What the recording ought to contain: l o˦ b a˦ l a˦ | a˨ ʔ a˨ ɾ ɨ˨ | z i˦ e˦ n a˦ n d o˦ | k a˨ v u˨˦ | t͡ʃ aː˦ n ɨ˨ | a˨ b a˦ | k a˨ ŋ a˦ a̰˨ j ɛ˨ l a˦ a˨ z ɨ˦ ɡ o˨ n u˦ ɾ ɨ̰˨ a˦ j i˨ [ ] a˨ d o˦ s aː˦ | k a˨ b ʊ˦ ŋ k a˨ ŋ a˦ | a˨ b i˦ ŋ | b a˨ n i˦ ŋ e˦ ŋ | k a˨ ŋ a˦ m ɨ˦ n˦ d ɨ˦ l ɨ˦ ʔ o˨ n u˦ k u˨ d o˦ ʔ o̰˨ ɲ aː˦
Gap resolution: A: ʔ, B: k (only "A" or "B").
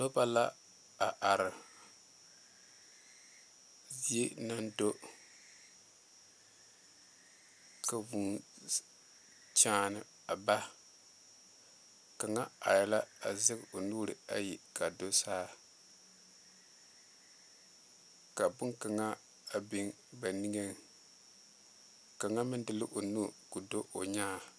B